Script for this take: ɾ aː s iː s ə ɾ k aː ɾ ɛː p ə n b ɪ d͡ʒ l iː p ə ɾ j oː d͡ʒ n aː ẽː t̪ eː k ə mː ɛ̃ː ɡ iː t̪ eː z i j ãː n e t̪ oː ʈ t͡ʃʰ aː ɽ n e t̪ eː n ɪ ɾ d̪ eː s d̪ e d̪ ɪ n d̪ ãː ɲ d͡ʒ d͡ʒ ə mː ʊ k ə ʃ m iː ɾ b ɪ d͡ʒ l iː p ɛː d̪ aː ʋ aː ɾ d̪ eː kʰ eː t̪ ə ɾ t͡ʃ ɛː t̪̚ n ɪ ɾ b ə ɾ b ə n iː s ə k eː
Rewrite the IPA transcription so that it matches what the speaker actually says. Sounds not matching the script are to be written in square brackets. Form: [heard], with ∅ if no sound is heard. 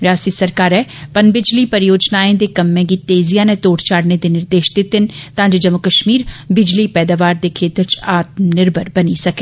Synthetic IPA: ɾ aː s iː s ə ɾ k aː ɾ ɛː p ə n b ɪ d͡ʒ l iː p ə ɾ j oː d͡ʒ n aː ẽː [d̪] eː k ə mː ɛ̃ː ɡ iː t̪ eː z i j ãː n e t̪ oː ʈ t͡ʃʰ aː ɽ n e [d̪] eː n ɪ ɾ d̪ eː [ʃ] d̪ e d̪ ɪ n [t̪] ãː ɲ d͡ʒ d͡ʒ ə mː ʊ k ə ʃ m iː ɾ b ɪ d͡ʒ l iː p ɛː d̪ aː ʋ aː ɾ d̪ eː kʰ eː t̪ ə ɾ t͡ʃ [aː] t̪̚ n ɪ ɾ b ə ɾ b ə n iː s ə k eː